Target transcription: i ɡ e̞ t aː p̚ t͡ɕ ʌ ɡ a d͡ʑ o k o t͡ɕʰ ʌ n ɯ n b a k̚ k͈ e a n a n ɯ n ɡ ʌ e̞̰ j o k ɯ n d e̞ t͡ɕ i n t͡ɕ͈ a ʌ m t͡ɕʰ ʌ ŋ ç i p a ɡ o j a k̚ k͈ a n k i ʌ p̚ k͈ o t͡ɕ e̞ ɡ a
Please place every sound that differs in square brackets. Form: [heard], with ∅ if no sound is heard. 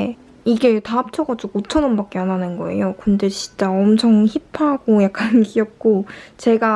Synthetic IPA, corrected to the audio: i ɡ e̞ t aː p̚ [t͡ɕʰ] ʌ ɡ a d͡ʑ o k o t͡ɕʰ ʌ n ɯ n b a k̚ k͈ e a n a n ɯ n ɡ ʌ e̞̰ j o k ɯ n d e̞ t͡ɕ i n t͡ɕ͈ a ʌ m t͡ɕʰ ʌ ŋ ç i [pʰ] a ɡ o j a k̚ k͈ a n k i ʌ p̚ k͈ o t͡ɕ e̞ ɡ a

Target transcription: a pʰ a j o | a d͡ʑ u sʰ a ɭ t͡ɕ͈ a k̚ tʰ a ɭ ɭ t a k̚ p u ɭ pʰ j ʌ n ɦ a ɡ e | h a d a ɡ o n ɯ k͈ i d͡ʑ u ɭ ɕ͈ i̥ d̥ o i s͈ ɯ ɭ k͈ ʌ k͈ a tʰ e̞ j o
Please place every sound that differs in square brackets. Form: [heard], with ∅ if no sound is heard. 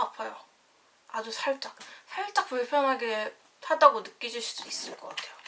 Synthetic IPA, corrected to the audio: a pʰ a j o | a d͡ʑ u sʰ a ɭ t͡ɕ͈ a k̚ [sʰ] a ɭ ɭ [t͡ɕ͈] a k̚ p u ɭ pʰ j ʌ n ɦ a ɡ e | h a d a ɡ o n ɯ k͈ i d͡ʑ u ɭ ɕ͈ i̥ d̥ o i s͈ ɯ ɭ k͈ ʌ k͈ a tʰ e̞ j o

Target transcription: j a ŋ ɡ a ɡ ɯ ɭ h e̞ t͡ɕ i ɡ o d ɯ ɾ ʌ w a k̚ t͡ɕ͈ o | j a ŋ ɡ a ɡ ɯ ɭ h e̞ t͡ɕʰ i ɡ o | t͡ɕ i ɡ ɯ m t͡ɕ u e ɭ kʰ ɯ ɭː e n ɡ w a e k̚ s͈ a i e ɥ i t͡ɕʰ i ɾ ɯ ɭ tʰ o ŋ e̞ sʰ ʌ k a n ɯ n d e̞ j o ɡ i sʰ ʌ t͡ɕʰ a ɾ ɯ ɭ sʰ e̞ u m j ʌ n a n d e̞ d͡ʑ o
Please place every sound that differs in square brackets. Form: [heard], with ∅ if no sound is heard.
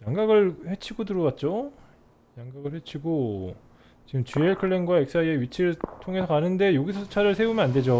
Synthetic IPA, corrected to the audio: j a ŋ ɡ a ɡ ɯ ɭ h e̞ [t͡ɕʰ] i ɡ o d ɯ ɾ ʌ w a [t̚] t͡ɕ͈ o | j a ŋ ɡ a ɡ ɯ ɭ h e̞ t͡ɕʰ i ɡ o | t͡ɕ i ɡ ɯ m t͡ɕ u e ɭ kʰ ɯ ɭː e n ɡ w a e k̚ s͈ a i e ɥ i t͡ɕʰ i ɾ ɯ ɭ tʰ o ŋ e̞ sʰ ʌ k a n ɯ n d e̞ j o ɡ i sʰ ʌ t͡ɕʰ a ɾ ɯ ɭ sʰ e̞ u m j ʌ n a n d e̞ d͡ʑ o

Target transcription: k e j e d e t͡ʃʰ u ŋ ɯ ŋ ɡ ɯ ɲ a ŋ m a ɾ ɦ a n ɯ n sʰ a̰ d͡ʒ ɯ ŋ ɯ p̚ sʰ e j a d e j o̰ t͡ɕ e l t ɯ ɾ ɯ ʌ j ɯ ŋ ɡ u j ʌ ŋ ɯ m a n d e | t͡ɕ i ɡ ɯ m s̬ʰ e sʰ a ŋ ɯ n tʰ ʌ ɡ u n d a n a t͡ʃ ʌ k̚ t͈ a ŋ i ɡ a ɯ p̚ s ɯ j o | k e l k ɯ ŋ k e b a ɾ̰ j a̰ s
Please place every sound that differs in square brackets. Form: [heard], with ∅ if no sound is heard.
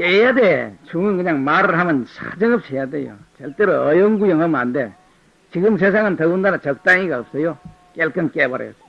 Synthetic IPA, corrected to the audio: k e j [a] d e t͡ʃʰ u ŋ ɯ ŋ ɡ ɯ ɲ a ŋ m a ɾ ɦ a [m] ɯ n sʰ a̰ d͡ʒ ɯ ŋ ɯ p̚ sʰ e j a d e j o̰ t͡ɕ e l t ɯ ɾ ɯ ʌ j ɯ ŋ ɡ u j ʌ ŋ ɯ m a n d e | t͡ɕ i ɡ ɯ m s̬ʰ e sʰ a ŋ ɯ n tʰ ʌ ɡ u n d a n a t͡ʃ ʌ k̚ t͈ a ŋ i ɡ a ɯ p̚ s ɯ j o | k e l k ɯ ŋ k e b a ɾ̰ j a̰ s

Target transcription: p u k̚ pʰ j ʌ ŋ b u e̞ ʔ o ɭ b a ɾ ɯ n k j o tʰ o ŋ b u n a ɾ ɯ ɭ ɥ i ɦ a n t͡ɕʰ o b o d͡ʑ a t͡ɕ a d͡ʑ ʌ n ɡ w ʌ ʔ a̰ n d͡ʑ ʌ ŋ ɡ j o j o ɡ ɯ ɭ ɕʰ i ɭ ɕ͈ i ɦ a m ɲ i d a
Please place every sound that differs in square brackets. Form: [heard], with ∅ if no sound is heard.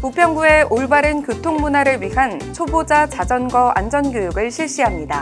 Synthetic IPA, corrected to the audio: p u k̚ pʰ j ʌ ŋ b u e̞ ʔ o ɭ b a ɾ ɯ n k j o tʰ o ŋ [m] u n a ɾ ɯ ɭ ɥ i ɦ a n t͡ɕʰ o b o d͡ʑ a t͡ɕ a d͡ʑ ʌ n ɡ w ʌ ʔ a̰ n d͡ʑ ʌ [n] ɡ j o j [u] ɡ ɯ ɭ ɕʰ i ɭ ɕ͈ i ɦ a m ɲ i d a

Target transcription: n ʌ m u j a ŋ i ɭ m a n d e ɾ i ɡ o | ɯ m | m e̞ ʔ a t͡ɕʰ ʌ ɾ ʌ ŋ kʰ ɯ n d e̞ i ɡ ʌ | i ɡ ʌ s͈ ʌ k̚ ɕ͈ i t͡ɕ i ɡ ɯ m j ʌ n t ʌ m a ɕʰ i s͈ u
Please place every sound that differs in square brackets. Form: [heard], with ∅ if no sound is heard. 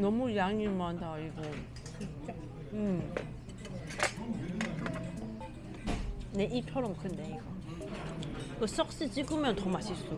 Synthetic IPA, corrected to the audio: n ʌ m u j a ŋ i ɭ m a n d [a] ɾ i ɡ o | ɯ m | [n] e̞ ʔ [i] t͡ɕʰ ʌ ɾ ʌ [m] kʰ ɯ n d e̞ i ɡ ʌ | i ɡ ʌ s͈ ʌ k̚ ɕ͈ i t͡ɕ i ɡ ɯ m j ʌ n t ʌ m a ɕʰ i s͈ u

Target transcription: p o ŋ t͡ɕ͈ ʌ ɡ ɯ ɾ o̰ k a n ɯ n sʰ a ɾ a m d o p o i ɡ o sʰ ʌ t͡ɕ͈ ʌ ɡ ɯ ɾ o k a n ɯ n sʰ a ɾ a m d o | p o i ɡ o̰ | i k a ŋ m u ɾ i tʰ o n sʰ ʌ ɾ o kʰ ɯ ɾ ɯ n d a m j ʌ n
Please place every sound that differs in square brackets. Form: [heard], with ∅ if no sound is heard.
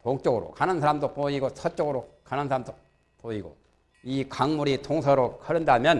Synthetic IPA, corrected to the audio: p o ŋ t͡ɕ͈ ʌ ɡ ɯ ɾ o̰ k a n ɯ n sʰ a ɾ a m d o p o i ɡ o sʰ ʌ t͡ɕ͈ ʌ ɡ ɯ ɾ o k a n ɯ n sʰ a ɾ a m d o | p o i ɡ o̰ | i k a ŋ m u ɾ i tʰ o [ŋ] sʰ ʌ ɾ o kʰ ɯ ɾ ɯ n d a m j ʌ n

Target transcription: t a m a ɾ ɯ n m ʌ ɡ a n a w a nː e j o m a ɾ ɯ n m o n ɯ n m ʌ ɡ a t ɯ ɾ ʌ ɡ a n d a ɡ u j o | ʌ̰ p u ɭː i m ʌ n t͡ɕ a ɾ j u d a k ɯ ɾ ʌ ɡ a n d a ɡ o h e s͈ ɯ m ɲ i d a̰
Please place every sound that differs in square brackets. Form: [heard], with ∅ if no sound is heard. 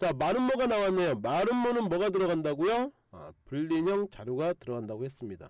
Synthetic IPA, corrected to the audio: [t͡ɕ] a m a ɾ ɯ n m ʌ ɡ a n a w a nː e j o m a ɾ ɯ n m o n ɯ n m ʌ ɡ a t ɯ ɾ ʌ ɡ a n d a ɡ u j o | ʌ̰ p u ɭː i [ɲ] ʌ [ŋ] t͡ɕ a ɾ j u [ɡ] a [t] ɯ ɾ ʌ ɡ a n d a ɡ o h e s͈ ɯ m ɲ i d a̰

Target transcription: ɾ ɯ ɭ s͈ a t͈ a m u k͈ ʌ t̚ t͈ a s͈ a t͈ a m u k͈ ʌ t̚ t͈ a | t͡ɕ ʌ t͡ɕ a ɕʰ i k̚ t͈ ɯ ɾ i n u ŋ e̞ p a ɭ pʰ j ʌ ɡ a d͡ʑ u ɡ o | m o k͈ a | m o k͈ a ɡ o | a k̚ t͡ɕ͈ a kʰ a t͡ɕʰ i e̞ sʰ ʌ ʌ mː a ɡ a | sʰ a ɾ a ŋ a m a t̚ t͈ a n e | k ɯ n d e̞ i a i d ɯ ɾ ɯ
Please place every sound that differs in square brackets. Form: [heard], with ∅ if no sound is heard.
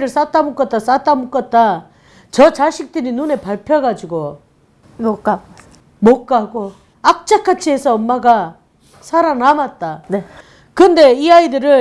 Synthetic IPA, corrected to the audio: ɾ ɯ ɭ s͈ a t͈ a m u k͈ ʌ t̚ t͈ a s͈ a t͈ a m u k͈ ʌ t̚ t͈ a | t͡ɕ ʌ t͡ɕ a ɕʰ i k̚ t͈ ɯ ɾ i n u [n] e̞ p a ɭ pʰ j ʌ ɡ a d͡ʑ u ɡ o | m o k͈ a | m o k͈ a ɡ o | a k̚ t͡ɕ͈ a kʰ a t͡ɕʰ i e̞ sʰ ʌ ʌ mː a ɡ a | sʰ a ɾ a [n] a m a t̚ t͈ a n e | k ɯ n d e̞ i a i d ɯ ɾ ɯ

